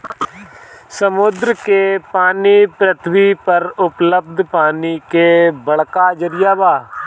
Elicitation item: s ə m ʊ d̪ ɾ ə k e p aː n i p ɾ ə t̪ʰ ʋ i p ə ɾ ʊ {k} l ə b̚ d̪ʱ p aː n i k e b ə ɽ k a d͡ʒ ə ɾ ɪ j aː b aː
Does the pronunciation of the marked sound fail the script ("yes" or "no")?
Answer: yes